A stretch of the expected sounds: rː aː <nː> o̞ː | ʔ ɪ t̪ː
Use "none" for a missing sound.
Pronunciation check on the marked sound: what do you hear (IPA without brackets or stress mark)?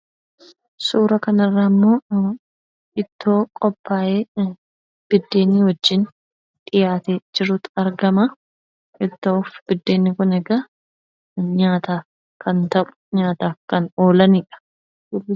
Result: mː